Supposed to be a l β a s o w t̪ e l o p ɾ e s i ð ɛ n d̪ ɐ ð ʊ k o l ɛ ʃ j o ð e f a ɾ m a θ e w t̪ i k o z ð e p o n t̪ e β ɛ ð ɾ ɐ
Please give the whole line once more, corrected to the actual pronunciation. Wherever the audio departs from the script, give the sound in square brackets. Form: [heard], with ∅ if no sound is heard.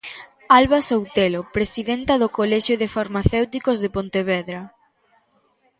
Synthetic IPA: a l β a s o w t̪ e l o p ɾ e s i ð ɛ n [t̪] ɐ ð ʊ k o l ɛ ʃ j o ð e f a ɾ m a θ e w t̪ i k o z ð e p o n t̪ e β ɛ ð ɾ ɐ